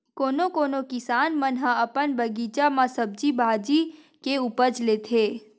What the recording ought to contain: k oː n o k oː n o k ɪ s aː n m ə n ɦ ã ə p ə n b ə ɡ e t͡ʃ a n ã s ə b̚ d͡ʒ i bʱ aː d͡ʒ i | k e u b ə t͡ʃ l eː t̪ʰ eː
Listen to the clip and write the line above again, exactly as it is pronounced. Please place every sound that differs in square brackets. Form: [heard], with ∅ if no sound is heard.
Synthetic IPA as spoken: k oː n o k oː n o k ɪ s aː n m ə n ɦ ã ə p ə n b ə ɡ [i] t͡ʃ a [m] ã s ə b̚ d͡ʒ i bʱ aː d͡ʒ i | k e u [p] ə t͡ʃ l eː t̪ʰ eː